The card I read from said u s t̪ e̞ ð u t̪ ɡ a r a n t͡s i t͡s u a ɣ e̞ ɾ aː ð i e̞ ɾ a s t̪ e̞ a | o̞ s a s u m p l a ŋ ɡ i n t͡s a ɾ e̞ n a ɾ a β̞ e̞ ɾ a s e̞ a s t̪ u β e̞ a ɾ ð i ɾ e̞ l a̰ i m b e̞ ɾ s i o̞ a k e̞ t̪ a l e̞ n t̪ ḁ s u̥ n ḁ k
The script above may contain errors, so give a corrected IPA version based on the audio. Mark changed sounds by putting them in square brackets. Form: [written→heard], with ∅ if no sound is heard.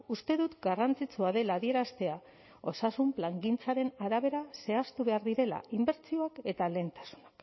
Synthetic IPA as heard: u s t̪ e̞ ð u t̪ ɡ a r a n t͡s i t͡s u a [ɣ→ð] e̞ [ɾ→l] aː ð i e̞ ɾ a s t̪ e̞ a | o̞ s a s u m p l a ŋ ɡ i n t͡s a ɾ e̞ n a ɾ a β̞ e̞ ɾ a s e̞ a s t̪ u β e̞ a ɾ ð i ɾ e̞ l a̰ i m b e̞ ɾ [s→t͡s] i o̞ a k e̞ t̪ a l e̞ n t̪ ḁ s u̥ n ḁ k

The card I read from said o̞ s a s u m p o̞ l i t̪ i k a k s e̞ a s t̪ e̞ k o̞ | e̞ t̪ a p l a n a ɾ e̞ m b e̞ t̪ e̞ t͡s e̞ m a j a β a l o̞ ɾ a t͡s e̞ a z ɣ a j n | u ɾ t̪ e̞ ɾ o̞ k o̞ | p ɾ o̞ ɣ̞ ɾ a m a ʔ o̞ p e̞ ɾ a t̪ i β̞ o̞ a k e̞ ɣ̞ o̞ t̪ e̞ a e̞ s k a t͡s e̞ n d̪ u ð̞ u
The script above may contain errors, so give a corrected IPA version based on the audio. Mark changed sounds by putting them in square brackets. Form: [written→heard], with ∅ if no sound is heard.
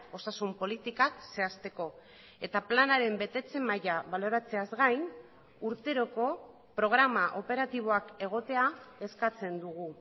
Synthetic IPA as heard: o̞ s a s u m p o̞ l i t̪ i k a k s e̞ a s t̪ e̞ k o̞ | e̞ t̪ a p l a n a ɾ e̞ m b e̞ t̪ e̞ t͡s e̞ m a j a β a l o̞ ɾ a t͡s e̞ a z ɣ a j n | u ɾ t̪ e̞ ɾ o̞ k o̞ | p ɾ o̞ ɣ̞ ɾ a m a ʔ o̞ p e̞ ɾ a t̪ i β̞ o̞ a k e̞ ɣ̞ o̞ t̪ e̞ a e̞ s k a t͡s e̞ n d̪ u [ð̞→ɣ̞] u

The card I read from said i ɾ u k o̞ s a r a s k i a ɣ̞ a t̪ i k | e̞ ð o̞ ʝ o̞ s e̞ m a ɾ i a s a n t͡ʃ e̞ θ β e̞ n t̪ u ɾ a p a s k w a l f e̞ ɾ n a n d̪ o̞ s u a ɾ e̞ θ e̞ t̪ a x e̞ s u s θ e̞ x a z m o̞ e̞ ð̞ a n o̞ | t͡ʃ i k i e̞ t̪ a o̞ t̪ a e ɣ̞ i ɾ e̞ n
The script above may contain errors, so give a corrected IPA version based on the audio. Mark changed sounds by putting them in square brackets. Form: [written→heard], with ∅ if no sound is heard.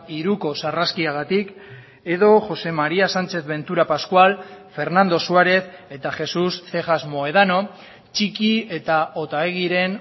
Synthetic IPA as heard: i ɾ u k o̞ s a r a s k i a ɣ̞ a t̪ i k | e̞ ð o̞ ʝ o̞ s e̞ m a ɾ i a s a n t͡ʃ e̞ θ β e̞ n t̪ u ɾ a p a s k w a l f e̞ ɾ n a n d̪ o̞ s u a ɾ e̞ θ e̞ t̪ a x e̞ s u s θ e̞ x a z m o̞ e̞ ð̞ a n o̞ | t͡ʃ i k i e̞ t̪ a o̞ t̪ a e ɣ̞ i ɾ e̞ n

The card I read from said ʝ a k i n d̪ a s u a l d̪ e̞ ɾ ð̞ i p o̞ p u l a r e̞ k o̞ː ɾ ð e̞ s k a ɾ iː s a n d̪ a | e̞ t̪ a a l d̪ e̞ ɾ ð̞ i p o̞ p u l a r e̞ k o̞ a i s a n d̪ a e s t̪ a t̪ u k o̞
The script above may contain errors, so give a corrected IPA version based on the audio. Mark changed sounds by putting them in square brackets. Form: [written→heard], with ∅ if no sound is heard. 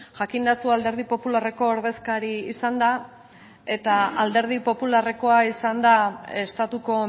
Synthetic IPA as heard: ʝ a k i n d̪ a s u a l d̪ e̞ ɾ ð̞ i p o̞ p u l a r e̞ k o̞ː ɾ ð e̞ s k a ɾ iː s a n d̪ a | e̞ t̪ a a l d̪ e̞ ɾ ð̞ i p o̞ p u l a r e̞ k o̞ a i s a n d̪ a e s t̪ a t̪ u k o̞

